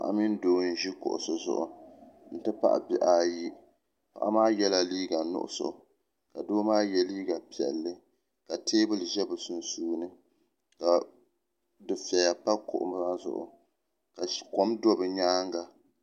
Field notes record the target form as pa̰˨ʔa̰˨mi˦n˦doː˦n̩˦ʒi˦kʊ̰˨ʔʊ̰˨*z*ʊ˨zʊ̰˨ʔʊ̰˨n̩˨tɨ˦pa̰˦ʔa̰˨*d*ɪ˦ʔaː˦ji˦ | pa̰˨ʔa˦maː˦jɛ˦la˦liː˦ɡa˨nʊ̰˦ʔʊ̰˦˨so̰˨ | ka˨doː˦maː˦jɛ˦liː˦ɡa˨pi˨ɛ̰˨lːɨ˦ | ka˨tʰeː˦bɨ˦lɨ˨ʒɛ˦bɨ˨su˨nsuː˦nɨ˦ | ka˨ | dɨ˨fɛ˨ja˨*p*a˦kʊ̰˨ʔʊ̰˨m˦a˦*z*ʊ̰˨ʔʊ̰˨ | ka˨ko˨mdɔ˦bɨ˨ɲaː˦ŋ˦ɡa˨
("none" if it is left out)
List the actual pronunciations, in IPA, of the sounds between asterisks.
s, b, p, z

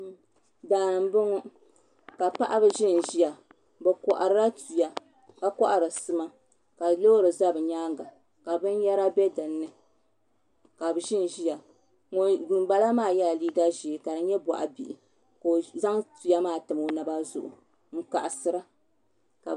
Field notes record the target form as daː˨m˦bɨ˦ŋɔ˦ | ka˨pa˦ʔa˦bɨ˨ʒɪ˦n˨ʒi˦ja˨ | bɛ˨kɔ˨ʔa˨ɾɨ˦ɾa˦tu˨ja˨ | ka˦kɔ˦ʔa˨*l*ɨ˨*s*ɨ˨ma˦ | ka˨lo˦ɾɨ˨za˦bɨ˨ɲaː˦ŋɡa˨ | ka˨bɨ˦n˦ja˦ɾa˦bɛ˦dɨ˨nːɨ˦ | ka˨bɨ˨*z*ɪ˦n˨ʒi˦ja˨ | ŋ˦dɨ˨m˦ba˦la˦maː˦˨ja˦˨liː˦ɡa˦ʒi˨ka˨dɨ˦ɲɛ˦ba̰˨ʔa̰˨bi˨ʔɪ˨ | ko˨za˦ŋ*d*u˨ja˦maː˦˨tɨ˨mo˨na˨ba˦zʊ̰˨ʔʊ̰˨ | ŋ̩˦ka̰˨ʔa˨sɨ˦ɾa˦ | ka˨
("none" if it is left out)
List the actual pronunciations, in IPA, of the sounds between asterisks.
ɾ, s, ʒ, t

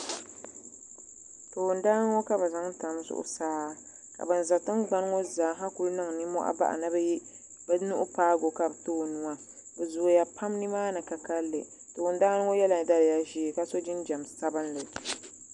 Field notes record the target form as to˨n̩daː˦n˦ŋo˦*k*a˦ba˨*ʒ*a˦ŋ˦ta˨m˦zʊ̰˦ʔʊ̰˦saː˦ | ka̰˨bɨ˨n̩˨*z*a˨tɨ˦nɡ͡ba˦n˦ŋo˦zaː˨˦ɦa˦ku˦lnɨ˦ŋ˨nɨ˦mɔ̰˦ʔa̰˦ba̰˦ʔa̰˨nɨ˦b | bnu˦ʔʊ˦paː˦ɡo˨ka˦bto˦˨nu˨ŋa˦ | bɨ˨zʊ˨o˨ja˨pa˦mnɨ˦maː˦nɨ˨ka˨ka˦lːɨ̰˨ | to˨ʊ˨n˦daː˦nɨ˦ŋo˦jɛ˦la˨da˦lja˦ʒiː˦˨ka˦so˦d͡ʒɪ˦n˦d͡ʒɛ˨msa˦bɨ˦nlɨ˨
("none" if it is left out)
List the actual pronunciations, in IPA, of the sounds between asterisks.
k, z, z

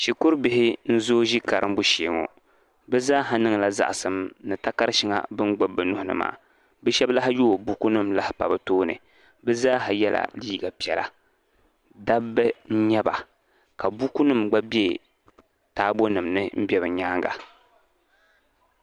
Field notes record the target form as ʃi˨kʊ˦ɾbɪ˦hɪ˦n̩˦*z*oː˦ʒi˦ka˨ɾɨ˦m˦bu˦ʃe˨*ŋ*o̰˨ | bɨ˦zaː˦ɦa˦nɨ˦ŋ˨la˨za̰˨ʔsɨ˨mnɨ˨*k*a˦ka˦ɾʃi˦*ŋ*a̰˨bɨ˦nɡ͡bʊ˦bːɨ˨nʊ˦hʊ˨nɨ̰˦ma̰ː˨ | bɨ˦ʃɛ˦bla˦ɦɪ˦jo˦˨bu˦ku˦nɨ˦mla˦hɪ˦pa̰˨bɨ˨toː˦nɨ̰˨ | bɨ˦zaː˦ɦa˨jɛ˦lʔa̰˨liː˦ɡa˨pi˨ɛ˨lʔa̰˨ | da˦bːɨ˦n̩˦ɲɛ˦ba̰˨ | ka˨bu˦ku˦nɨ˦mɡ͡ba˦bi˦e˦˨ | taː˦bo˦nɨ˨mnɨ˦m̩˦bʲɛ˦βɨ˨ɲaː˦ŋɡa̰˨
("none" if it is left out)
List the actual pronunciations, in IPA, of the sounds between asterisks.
z, ŋ, t, ŋ

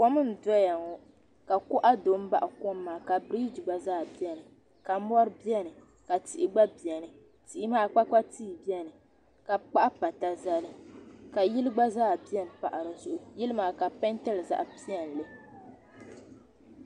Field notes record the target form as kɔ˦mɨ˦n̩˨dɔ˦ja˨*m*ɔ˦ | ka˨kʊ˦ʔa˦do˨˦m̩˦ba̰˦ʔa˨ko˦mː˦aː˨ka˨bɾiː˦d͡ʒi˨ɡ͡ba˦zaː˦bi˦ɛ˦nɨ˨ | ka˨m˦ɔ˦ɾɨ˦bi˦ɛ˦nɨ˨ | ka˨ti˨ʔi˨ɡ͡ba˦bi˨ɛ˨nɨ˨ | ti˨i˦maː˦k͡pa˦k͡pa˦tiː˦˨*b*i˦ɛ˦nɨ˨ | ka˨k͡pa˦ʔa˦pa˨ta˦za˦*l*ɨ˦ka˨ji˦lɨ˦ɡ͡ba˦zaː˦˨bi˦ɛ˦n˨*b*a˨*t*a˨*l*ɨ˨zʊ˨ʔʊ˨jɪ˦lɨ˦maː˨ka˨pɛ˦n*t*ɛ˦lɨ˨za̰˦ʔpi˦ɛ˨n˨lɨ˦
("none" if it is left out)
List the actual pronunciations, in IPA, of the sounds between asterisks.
ŋ, b, l, p, ʔ, ɾ, t

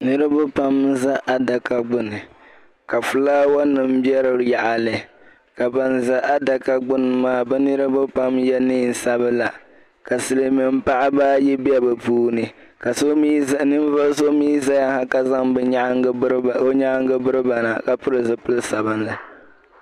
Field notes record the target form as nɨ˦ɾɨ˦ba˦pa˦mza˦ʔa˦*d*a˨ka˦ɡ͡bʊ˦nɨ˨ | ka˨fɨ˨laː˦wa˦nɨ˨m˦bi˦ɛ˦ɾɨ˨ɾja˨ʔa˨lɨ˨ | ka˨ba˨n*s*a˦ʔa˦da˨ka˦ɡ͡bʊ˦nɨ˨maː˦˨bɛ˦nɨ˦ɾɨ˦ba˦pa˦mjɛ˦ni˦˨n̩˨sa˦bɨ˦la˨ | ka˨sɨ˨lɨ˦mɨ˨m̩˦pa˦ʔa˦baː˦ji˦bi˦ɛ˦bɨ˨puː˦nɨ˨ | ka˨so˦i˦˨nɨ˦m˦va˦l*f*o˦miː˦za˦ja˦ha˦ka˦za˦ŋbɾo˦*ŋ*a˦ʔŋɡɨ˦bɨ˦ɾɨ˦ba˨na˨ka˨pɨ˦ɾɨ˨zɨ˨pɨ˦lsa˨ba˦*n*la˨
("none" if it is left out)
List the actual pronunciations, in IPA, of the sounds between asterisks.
d, z, s, ɲ, n

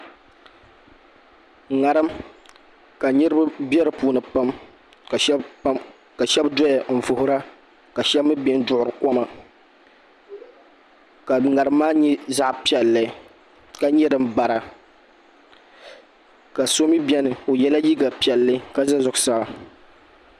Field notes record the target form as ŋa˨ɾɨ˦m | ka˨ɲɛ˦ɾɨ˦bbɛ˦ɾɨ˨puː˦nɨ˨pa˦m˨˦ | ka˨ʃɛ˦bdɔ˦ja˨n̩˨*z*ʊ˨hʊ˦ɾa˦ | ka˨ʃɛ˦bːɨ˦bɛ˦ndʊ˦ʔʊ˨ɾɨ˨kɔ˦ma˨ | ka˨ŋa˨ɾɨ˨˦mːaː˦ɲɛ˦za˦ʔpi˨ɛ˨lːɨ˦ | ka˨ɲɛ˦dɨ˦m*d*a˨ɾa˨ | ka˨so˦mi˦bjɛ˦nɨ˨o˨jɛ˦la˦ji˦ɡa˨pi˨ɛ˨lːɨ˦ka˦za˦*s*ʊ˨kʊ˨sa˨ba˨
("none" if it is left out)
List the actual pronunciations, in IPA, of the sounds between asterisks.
v, b, z

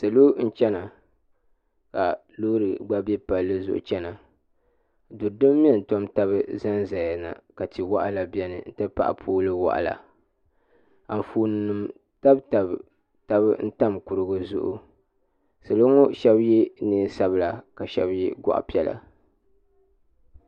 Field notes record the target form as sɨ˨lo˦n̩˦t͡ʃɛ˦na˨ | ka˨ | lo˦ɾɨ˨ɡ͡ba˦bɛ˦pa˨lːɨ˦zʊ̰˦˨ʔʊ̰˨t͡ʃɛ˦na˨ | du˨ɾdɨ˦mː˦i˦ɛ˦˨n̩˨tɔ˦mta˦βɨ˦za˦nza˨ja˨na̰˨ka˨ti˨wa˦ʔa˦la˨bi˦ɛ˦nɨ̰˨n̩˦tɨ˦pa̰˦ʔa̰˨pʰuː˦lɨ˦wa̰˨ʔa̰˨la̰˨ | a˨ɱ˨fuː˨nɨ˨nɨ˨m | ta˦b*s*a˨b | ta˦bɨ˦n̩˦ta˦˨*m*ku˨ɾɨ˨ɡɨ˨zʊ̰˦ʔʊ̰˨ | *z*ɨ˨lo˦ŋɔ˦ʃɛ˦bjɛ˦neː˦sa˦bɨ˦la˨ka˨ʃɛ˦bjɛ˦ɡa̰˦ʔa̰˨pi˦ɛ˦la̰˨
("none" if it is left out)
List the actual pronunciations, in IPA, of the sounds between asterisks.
t, m, s

